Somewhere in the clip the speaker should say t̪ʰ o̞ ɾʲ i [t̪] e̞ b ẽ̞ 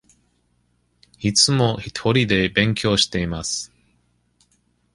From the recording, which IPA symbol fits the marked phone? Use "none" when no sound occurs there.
d̪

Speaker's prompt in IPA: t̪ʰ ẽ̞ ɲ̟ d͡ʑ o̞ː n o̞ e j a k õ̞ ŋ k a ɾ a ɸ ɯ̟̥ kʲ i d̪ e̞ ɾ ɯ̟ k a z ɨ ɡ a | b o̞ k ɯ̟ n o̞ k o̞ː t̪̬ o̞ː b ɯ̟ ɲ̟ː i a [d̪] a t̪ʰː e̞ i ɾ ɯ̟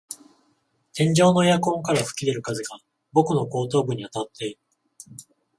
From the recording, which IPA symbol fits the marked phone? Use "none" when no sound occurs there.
t̪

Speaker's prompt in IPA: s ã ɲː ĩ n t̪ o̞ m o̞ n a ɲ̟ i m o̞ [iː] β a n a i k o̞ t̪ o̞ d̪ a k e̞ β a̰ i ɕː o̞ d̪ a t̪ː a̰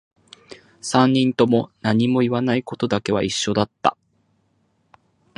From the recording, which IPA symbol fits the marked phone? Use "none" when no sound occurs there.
i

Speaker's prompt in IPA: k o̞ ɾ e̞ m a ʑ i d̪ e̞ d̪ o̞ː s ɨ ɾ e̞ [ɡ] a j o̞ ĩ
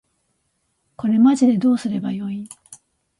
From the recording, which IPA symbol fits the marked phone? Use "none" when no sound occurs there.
b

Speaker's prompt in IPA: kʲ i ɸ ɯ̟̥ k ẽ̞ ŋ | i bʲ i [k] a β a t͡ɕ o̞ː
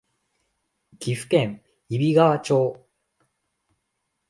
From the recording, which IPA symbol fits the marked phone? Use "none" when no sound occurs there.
ɡ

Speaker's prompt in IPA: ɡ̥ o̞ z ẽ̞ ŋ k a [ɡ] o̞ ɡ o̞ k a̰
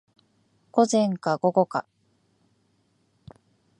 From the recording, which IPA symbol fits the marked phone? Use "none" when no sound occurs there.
ɡ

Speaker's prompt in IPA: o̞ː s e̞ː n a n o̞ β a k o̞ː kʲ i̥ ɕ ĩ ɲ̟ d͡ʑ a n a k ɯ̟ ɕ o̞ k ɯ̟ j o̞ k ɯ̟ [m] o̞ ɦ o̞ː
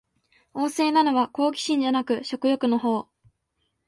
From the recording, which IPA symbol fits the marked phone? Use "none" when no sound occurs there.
n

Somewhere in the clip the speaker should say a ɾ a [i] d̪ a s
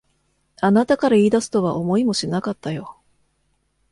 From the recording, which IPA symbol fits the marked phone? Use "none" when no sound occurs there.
iː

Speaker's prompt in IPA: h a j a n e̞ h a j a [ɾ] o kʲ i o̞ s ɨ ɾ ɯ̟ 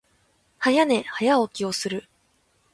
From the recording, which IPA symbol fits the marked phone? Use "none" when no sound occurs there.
none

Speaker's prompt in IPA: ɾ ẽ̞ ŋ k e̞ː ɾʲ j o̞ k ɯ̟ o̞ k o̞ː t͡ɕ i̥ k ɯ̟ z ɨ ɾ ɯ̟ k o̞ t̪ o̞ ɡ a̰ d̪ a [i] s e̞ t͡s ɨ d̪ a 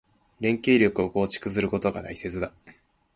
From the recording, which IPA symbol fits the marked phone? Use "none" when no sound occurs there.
i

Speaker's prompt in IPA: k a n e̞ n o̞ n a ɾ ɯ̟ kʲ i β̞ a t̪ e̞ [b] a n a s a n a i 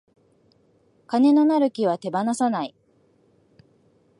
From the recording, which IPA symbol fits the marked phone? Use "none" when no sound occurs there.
b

